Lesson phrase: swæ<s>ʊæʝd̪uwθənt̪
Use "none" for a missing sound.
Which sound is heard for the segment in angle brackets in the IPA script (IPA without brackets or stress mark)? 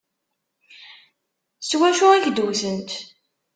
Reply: ʃ